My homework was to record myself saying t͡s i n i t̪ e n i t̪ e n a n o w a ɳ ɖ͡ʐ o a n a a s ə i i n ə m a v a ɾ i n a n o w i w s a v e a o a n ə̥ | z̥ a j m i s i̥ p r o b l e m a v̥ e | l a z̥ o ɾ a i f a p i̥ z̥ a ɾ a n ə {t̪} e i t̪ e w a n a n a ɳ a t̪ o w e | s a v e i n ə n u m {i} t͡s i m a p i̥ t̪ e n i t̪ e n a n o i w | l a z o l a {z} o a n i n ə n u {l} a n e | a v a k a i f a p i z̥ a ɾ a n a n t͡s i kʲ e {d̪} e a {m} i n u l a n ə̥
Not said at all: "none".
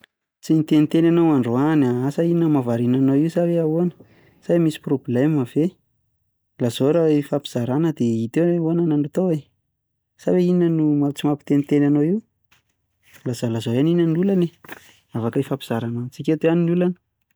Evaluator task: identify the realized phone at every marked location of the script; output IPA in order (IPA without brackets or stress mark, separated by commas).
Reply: d̪, a, z, l, t̪, n